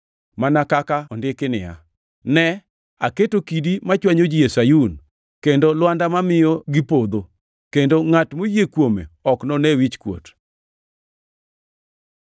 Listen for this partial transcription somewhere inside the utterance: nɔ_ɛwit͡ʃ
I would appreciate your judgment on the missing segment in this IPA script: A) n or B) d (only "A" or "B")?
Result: A